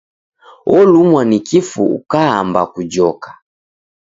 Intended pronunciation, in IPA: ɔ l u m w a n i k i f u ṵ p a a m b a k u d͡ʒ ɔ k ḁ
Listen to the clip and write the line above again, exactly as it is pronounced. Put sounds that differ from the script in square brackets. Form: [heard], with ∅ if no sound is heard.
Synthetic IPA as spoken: ɔ l u m w a n i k i f u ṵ [k] a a m b a k u d͡ʒ ɔ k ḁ